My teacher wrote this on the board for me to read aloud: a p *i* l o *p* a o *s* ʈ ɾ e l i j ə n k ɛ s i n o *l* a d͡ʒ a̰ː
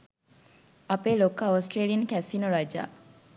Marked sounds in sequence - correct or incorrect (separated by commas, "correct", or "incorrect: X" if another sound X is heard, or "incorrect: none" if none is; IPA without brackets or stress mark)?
incorrect: e, incorrect: k, correct, incorrect: ɾ